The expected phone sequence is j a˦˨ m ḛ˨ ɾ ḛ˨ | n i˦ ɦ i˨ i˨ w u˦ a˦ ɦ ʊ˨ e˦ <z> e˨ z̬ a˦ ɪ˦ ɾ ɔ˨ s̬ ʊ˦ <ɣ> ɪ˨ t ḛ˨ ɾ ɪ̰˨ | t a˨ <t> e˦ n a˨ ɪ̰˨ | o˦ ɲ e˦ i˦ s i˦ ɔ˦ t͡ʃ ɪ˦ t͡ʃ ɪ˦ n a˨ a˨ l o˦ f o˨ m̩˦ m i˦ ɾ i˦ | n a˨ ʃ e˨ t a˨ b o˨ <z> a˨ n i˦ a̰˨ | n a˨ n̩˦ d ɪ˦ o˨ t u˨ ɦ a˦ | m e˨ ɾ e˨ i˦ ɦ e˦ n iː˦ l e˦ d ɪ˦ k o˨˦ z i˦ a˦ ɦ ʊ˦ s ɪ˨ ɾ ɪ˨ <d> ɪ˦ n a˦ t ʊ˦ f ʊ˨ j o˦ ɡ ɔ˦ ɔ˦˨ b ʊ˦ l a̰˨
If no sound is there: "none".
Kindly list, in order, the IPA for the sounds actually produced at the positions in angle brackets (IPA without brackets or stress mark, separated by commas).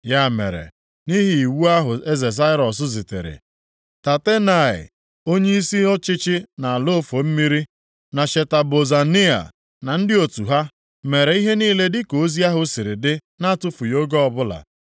z, z, t, z, d